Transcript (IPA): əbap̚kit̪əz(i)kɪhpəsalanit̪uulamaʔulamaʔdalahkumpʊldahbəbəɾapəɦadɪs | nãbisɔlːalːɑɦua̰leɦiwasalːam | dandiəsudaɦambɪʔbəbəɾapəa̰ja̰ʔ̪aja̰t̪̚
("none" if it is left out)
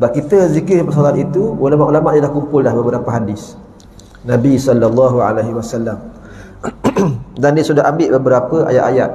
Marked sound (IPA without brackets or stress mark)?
i